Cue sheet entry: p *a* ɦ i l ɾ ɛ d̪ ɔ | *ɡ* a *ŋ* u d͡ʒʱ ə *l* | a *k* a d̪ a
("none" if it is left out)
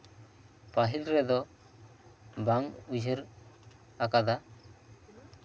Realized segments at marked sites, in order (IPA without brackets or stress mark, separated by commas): a, b, ŋ, ɾ, k